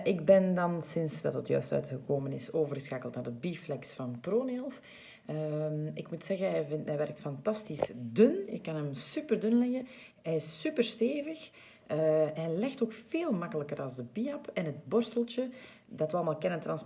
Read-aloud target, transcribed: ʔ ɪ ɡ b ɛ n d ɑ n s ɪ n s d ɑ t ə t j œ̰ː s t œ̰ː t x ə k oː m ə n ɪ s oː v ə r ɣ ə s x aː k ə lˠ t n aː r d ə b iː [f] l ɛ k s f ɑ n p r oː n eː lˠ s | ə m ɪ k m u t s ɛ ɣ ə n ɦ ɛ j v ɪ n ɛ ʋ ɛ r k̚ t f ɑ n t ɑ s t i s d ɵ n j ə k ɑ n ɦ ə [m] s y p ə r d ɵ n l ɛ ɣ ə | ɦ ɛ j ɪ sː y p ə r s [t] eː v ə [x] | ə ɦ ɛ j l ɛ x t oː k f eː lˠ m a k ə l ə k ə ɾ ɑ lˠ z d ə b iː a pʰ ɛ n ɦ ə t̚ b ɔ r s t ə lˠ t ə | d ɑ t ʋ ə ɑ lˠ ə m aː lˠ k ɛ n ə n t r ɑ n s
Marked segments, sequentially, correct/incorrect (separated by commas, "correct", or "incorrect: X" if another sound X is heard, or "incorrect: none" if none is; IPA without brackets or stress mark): correct, correct, correct, correct